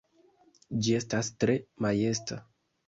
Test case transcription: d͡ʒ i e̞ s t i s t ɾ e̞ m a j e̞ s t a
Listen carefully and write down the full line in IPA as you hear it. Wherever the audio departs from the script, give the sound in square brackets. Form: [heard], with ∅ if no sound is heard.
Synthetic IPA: d͡ʒ i e̞ s t [a] s t ɾ e̞ m a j e̞ s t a

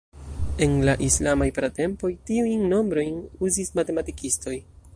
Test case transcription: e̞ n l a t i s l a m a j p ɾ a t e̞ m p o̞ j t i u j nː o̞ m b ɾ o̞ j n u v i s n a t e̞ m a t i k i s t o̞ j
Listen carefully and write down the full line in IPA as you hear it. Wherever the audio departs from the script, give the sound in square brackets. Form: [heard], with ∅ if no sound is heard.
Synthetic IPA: e̞ n l a [ʔ] i s l a m a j p ɾ a t e̞ m p o̞ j t i u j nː o̞ m b ɾ o̞ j n u [z] i s [m] a t e̞ m a t i k i s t o̞ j

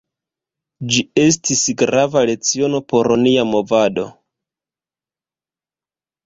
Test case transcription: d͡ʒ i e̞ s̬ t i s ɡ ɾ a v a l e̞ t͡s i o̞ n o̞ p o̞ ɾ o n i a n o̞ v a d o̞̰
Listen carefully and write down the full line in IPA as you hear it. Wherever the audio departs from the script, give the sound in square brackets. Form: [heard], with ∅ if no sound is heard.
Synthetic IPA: d͡ʒ i e̞ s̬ t i s ɡ ɾ a v a l e̞ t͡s i o̞ n o̞ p o̞ ɾ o n i a [m] o̞ v a d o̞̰

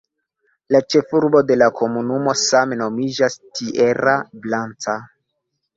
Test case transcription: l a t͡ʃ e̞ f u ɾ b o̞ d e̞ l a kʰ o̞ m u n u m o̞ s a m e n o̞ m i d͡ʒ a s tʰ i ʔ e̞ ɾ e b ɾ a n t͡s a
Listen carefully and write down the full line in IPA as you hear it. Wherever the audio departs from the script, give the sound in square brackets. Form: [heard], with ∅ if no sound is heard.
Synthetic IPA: l a t͡ʃ e̞ f u ɾ b o̞ d e̞ l a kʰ o̞ m u n u m o̞ s a m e n o̞ m i d͡ʒ a s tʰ i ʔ e̞ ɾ [a] b [l] a n t͡s a

